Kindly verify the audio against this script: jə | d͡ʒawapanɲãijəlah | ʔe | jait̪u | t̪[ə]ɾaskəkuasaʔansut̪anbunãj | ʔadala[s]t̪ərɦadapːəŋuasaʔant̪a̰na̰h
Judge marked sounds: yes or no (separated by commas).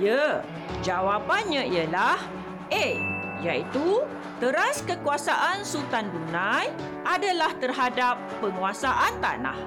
yes, no